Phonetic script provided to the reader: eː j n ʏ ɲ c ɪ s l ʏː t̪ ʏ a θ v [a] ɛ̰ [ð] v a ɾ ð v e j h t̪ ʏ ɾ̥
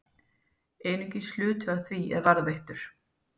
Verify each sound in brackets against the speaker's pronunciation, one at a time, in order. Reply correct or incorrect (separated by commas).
incorrect, correct